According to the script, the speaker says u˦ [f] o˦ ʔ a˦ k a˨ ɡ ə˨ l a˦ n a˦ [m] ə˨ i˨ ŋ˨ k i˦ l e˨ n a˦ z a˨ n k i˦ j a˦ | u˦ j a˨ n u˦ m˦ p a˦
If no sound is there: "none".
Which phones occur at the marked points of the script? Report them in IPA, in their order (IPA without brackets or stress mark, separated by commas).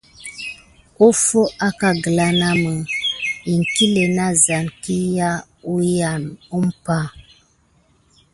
f, m